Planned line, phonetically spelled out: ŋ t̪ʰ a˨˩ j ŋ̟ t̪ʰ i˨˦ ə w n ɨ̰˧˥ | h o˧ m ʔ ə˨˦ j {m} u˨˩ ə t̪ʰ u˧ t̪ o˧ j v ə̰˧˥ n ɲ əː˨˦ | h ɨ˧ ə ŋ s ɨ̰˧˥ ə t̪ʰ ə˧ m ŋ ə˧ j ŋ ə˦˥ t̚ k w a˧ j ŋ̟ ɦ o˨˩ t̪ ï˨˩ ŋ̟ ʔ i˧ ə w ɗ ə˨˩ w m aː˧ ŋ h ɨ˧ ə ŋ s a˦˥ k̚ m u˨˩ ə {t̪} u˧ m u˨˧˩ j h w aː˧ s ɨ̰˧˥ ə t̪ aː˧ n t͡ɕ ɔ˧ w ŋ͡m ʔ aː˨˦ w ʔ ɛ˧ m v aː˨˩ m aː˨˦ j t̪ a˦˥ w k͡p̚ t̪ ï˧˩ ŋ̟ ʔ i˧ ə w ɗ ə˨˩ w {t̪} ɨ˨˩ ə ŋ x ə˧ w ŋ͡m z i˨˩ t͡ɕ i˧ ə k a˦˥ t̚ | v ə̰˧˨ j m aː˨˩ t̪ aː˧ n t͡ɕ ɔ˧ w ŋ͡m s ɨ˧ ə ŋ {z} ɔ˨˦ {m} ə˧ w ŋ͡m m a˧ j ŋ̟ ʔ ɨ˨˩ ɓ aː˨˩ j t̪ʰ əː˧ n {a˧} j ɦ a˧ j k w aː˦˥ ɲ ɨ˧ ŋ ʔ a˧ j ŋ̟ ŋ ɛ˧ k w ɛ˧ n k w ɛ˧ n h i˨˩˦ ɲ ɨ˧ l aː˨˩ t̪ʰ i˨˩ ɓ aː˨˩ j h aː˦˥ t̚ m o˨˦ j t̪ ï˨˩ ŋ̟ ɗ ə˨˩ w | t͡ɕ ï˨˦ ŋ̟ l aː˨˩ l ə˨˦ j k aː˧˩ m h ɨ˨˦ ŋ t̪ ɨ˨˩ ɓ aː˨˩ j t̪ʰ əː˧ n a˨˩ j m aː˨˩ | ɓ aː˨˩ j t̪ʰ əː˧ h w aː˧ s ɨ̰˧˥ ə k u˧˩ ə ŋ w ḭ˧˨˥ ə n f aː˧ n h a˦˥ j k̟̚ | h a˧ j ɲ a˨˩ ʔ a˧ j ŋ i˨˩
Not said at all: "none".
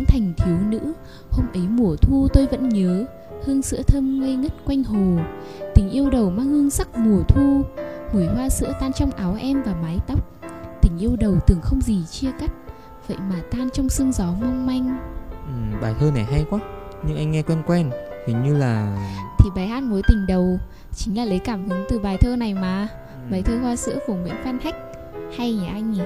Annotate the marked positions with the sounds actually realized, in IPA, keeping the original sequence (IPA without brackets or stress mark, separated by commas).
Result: m, t̪ʰ, t̪, z, m, a˨˩